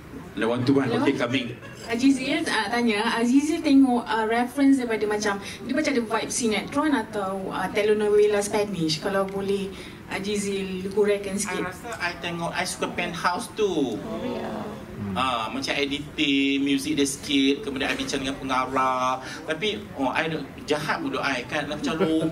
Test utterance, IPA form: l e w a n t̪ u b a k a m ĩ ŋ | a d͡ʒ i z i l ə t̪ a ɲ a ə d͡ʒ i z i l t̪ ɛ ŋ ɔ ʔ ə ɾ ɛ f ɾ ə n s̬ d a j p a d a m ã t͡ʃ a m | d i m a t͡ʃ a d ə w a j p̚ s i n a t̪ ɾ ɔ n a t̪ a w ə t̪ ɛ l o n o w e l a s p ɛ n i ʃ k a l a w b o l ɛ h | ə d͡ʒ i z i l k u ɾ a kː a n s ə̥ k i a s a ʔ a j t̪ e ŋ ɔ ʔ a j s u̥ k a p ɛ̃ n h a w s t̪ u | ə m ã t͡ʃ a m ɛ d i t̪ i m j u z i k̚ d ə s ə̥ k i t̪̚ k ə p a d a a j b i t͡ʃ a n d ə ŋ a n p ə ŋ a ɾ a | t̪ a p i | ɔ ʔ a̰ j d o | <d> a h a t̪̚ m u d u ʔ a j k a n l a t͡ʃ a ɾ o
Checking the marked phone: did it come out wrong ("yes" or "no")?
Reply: yes